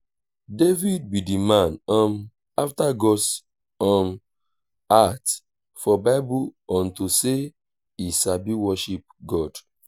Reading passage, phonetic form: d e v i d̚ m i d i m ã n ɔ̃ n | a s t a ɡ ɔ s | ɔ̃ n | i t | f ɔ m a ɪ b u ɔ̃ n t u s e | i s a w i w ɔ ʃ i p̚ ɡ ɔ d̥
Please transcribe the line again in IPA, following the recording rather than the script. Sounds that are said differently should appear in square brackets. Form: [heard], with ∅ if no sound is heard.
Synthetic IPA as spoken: d e v i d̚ [b] i d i m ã n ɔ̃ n | a [f] t a ɡ ɔ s | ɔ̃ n | [a] t | f ɔ [b] a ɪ b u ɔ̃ n t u s e | i s a [b] i w ɔ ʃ i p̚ ɡ ɔ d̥